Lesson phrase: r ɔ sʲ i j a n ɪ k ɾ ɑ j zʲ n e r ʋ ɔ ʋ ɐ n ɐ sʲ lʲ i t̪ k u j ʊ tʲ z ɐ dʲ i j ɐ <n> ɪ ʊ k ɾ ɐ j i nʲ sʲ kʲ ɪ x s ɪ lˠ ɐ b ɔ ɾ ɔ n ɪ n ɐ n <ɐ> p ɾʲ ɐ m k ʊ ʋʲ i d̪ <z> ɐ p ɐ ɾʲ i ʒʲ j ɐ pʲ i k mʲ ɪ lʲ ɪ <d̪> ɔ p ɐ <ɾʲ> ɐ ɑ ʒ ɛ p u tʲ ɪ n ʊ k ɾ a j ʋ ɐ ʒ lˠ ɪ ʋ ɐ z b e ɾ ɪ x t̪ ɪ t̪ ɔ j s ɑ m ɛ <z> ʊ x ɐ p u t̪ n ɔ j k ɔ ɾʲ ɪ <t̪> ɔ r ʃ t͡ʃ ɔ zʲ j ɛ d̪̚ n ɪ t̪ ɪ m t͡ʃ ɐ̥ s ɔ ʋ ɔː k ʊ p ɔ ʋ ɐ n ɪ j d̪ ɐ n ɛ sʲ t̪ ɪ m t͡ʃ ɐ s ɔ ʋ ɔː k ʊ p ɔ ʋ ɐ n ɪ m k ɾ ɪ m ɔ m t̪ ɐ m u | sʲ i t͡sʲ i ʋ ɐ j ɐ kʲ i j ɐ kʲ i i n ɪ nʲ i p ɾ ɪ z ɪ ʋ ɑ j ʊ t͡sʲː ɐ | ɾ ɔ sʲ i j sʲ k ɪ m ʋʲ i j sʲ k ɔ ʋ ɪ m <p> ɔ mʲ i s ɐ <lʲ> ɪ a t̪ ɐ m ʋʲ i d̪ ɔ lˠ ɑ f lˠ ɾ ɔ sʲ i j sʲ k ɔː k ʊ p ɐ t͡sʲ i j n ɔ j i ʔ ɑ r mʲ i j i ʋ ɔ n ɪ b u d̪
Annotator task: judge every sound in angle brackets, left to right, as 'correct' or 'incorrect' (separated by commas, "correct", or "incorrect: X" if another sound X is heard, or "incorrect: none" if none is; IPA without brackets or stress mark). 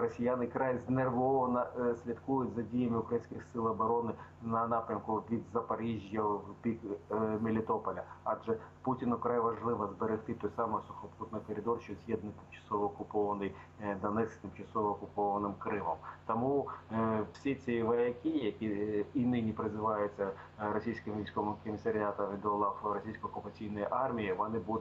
incorrect: m, incorrect: ɑ, correct, incorrect: t̪, incorrect: lʲ, incorrect: s, incorrect: d̪, incorrect: k, incorrect: ɾʲ